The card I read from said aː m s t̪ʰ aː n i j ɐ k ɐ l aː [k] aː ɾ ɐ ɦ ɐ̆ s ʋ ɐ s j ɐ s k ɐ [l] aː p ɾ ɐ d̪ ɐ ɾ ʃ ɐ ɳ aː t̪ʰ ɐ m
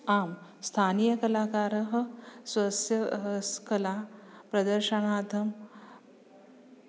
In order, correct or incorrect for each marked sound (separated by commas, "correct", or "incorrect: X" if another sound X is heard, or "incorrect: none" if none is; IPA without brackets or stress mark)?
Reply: correct, correct